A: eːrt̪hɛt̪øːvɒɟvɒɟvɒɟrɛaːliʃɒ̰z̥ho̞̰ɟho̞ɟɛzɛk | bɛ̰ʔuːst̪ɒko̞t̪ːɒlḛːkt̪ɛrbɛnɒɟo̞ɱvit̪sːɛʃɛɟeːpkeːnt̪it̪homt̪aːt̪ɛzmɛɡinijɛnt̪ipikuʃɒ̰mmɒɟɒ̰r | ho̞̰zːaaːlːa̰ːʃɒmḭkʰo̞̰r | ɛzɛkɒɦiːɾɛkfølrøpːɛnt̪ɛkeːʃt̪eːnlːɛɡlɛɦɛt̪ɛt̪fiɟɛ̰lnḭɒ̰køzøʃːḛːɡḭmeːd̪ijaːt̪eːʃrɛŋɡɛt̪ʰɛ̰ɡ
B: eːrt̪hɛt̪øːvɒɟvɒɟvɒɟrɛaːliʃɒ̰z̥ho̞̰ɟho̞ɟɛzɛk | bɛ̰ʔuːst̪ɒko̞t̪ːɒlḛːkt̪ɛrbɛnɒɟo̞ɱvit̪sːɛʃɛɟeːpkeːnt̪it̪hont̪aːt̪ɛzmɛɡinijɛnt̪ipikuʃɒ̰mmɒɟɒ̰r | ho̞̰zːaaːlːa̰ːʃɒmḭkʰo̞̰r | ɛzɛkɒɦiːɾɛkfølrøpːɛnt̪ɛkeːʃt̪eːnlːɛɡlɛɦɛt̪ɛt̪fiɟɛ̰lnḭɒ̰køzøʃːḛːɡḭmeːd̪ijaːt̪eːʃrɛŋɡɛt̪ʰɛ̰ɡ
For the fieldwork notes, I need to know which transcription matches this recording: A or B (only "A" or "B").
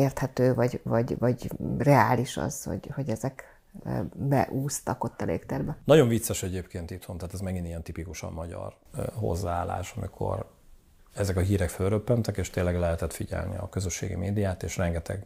B